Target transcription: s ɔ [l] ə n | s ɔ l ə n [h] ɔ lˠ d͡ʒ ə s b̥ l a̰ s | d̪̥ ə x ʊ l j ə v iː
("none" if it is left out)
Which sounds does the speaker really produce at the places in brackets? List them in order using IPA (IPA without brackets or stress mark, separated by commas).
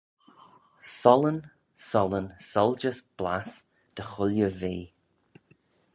l, s